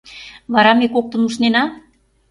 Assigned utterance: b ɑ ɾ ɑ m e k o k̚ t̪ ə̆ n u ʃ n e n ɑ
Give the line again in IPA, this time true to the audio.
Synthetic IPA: β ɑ ɾ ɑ m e k o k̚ t̪ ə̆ n u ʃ n e n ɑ

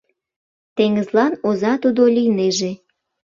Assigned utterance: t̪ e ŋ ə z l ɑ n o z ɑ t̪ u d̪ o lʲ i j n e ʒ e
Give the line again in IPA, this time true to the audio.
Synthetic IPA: t̪ e ŋ ə z l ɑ n o z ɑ t̪ u d̪ o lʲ i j n e ʒ e

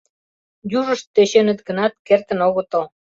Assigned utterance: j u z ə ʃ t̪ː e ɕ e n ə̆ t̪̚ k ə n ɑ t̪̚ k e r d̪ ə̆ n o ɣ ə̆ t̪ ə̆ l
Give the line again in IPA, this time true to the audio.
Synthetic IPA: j u ʒ ə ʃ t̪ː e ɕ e n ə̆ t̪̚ ɡ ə n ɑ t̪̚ k e r t̪ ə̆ n o ɣ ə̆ t̪ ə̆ l

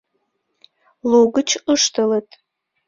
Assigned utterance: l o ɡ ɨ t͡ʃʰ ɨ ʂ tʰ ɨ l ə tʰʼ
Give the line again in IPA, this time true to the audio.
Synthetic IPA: l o ɡ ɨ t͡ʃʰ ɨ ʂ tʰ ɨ l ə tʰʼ

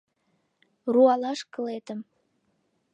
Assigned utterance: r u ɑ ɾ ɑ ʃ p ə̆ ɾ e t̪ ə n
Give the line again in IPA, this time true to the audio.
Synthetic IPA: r u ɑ l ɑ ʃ k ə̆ l e t̪ ə m

